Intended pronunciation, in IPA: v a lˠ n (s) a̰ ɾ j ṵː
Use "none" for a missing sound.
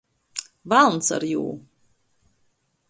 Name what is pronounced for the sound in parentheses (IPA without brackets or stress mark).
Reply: s